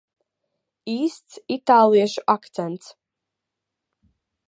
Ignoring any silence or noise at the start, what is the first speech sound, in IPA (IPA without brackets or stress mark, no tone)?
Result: iː